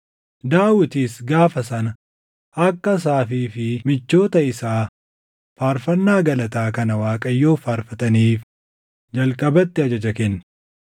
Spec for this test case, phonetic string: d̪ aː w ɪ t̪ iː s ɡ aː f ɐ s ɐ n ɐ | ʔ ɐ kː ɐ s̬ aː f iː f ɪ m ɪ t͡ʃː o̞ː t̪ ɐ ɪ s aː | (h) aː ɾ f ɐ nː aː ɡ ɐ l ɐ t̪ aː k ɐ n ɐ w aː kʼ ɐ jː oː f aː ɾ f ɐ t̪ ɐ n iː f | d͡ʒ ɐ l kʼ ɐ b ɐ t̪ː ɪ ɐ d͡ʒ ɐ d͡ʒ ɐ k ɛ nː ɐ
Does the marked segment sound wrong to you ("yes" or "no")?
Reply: yes